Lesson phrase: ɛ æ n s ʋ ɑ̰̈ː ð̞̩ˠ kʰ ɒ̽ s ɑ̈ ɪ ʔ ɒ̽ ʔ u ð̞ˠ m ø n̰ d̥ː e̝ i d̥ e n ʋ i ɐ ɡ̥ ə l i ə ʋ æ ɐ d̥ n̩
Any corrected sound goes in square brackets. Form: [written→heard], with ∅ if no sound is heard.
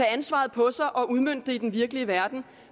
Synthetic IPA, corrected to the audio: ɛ æ n s ʋ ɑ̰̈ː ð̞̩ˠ [kʰ→pʰ] ɒ̽ s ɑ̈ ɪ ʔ ɒ̽ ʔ u ð̞ˠ m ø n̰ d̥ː e̝ i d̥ e n ʋ i ɐ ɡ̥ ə l i ə ʋ æ ɐ d̥ n̩